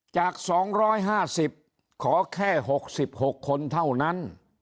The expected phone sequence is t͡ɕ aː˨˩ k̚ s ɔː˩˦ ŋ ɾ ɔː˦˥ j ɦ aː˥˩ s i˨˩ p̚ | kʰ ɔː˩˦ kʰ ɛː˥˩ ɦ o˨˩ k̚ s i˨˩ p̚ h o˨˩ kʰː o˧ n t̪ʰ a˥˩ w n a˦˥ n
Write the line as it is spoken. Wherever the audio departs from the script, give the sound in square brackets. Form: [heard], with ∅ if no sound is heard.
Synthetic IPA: t͡ɕ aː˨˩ k̚ s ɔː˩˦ ŋ ɾ ɔː˦˥ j ɦ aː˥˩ s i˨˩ p̚ | kʰ ɔː˩˦ kʰ ɛː˥˩ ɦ o˨˩ k̚ s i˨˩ p̚ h o˨˩ kʰː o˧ n t̪ʰ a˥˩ w n a˦˥ n